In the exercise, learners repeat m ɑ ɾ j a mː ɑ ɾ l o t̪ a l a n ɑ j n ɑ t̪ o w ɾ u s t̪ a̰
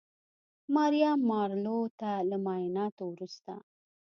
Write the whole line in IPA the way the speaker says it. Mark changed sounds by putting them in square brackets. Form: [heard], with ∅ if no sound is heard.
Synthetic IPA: m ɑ ɾ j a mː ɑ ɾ l o t̪ a l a [m] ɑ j n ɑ t̪ o w ɾ u s t̪ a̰

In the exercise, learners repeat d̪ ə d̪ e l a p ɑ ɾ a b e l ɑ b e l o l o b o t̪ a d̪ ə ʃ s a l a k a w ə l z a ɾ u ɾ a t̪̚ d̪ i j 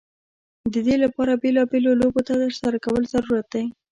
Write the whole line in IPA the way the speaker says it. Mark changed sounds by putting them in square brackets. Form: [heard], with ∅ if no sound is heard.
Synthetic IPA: d̪ ə d̪ e l a p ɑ ɾ a b e l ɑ b e l o l o b o t̪ a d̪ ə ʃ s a [ɾ] a k a w ə l z a ɾ u ɾ a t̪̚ d̪ [a] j

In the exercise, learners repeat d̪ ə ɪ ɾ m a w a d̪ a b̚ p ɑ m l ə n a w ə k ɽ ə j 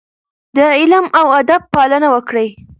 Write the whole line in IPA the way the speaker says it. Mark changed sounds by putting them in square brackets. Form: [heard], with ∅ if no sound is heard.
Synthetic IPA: d̪ ə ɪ [l] m a w a d̪ a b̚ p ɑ [∅] l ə n a w ə k ɽ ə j

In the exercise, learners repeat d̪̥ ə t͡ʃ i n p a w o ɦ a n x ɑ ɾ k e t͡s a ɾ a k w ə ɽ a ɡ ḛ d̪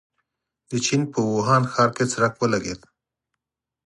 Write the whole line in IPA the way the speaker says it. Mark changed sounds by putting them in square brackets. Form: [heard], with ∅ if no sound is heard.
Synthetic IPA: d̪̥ ə t͡ʃ i n p [ə] w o ɦ [ɑ] n x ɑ ɾ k e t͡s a ɾ a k w ə [l] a ɡ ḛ d̪

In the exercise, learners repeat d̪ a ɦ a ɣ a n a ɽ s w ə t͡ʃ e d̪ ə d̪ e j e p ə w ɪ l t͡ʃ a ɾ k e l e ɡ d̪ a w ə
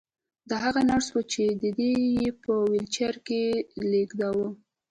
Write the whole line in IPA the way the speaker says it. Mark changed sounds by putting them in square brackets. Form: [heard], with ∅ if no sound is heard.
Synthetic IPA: d̪ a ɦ a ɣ a n a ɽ s w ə t͡ʃ e d̪ ə d̪ e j e p ə w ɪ l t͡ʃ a ɾ k e l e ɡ d̪ a w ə

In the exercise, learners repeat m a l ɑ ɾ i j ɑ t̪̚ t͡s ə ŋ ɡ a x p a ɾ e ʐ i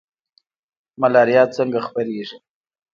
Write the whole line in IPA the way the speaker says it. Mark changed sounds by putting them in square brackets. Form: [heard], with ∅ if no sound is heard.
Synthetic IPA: m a l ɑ ɾ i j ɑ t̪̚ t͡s ə ŋ ɡ a x p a ɾ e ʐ i

